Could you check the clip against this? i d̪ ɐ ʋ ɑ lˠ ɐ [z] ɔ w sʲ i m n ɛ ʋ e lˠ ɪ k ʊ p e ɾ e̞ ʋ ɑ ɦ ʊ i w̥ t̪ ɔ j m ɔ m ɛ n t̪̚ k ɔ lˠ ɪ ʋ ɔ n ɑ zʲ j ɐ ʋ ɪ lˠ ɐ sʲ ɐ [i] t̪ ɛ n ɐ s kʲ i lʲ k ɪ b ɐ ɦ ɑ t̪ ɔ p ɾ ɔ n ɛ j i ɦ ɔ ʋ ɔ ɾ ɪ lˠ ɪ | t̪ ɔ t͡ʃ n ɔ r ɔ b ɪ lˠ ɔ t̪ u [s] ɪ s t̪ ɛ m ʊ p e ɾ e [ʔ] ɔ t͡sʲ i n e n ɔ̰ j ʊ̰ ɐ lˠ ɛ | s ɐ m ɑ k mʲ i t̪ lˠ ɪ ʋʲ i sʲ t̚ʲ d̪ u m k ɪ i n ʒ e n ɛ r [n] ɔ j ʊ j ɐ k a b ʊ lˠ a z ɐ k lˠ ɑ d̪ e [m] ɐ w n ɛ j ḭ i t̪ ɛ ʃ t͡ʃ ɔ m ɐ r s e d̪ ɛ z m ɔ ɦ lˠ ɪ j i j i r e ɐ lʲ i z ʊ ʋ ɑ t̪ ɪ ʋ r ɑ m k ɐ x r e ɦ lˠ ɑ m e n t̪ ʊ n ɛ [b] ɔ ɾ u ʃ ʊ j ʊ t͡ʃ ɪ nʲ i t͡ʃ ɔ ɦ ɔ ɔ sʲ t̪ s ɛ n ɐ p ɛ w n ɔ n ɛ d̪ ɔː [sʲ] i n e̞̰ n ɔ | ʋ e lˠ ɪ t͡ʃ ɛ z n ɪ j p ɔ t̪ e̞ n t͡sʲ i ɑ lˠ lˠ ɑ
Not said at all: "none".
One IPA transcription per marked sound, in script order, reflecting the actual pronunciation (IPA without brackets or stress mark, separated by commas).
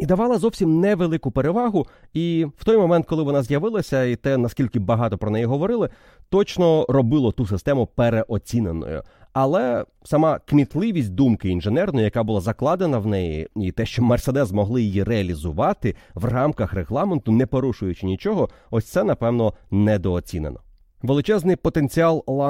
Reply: z, i, s, ʔ, n, n, p, t͡sʲ